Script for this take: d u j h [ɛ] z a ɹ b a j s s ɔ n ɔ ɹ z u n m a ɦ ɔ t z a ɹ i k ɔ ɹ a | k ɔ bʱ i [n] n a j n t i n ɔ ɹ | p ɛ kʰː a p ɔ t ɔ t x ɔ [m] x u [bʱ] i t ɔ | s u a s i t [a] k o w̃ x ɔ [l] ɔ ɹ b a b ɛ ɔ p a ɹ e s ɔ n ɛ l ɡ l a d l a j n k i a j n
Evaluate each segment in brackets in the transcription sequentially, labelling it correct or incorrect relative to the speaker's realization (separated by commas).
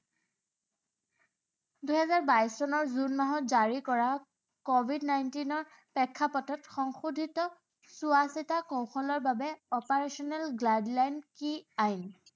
correct, incorrect, incorrect, incorrect, correct, correct